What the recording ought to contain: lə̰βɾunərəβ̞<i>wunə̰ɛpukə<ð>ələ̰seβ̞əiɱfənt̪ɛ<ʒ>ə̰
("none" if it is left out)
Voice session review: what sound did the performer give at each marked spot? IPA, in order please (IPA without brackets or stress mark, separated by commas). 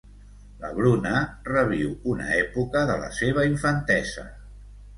i, ð, z